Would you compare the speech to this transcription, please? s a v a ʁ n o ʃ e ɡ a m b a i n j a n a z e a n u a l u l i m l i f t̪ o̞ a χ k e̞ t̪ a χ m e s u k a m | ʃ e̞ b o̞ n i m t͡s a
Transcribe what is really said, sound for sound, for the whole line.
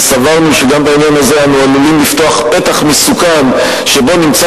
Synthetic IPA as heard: s a v a ʁ n u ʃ e ɡ a m b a i n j a n a z e a n u a l u l i m l i f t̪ o̞ a χ p e̞ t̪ a χ m e s u k a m | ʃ e̞ b o̞ n i m t͡s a